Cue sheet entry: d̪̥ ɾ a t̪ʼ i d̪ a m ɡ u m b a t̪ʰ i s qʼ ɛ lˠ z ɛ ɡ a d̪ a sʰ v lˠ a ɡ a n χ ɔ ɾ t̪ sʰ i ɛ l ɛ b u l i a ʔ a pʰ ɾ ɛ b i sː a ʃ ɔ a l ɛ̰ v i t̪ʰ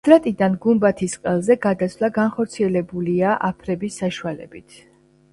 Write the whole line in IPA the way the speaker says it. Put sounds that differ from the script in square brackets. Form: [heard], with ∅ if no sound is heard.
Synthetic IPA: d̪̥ ɾ a t̪ʼ i d̪ a [n] ɡ u m b a t̪ʰ i s qʼ ɛ lˠ z ɛ ɡ a d̪ a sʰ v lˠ a ɡ a n χ ɔ ɾ t̪ sʰ i ɛ l ɛ b u l i a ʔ a pʰ ɾ ɛ b i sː a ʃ [u] a l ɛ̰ [b] i t̪ʰ